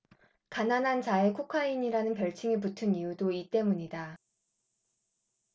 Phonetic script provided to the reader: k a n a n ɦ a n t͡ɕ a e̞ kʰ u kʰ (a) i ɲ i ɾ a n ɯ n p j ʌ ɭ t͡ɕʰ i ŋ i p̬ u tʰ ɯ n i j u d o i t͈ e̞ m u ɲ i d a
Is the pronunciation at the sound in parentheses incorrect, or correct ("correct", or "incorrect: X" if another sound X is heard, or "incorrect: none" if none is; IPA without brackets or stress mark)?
correct